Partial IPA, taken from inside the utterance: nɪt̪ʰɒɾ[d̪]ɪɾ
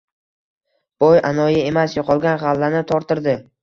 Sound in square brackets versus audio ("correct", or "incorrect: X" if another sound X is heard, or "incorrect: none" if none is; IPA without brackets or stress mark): incorrect: t̪